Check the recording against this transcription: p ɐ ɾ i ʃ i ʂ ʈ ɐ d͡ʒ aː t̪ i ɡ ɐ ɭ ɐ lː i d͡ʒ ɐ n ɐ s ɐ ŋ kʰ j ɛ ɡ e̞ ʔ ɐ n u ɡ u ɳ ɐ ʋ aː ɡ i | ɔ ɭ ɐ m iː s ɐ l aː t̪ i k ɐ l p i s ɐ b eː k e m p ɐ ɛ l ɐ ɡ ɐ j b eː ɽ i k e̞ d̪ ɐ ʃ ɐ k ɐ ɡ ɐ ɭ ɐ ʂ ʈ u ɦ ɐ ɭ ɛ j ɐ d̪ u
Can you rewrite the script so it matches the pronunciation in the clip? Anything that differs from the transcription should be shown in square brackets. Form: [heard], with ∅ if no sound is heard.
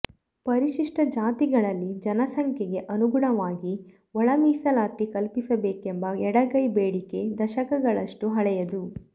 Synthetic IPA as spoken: p ɐ ɾ i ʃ i ʂ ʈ ɐ d͡ʒ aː t̪ i ɡ ɐ ɭ ɐ lː i d͡ʒ ɐ n ɐ s ɐ ŋ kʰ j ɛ ɡ e̞ ʔ ɐ n u ɡ u ɳ ɐ ʋ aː ɡ i | ɔ ɭ ɐ m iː s ɐ l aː t̪ i k ɐ l p i s ɐ b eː k e m [b] ɐ ɛ [ɽ] ɐ ɡ ɐ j b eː ɽ i k e̞ d̪ ɐ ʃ ɐ k ɐ ɡ ɐ ɭ ɐ ʂ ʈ u ɦ ɐ ɭ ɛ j ɐ d̪ u